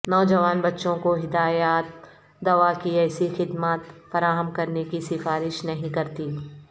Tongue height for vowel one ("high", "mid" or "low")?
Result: mid